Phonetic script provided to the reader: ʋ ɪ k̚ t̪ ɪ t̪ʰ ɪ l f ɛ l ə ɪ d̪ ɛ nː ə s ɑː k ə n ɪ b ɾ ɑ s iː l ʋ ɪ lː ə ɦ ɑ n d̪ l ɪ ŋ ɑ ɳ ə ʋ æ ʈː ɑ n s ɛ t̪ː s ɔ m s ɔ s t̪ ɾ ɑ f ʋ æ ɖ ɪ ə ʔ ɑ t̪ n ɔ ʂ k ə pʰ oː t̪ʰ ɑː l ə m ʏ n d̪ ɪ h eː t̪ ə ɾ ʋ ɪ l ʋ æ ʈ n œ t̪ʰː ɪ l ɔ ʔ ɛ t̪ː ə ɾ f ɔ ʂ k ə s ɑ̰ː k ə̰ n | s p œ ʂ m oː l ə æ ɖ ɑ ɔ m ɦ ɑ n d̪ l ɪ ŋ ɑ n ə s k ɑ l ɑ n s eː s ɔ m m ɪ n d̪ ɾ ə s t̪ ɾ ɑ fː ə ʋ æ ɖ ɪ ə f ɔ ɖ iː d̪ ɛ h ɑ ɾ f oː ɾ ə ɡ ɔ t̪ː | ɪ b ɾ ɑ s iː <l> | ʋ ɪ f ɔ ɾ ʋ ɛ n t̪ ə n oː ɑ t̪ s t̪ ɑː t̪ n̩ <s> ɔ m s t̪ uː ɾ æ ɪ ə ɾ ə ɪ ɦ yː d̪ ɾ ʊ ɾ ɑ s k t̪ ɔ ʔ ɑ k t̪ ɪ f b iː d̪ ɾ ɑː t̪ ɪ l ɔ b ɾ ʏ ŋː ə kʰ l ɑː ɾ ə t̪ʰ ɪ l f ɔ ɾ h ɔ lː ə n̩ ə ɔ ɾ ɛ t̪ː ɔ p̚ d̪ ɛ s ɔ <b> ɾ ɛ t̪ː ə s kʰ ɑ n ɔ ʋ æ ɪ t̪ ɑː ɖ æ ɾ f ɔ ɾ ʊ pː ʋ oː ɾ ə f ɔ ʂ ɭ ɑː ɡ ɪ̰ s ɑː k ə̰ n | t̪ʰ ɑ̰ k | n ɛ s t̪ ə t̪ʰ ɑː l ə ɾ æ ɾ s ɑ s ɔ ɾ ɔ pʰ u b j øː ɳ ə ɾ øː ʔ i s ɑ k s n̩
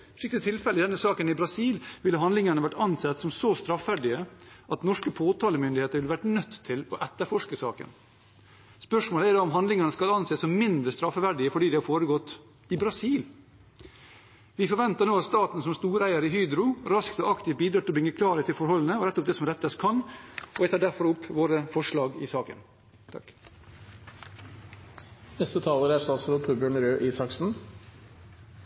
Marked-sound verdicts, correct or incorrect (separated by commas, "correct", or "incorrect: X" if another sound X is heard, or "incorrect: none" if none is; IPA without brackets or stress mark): correct, correct, incorrect: m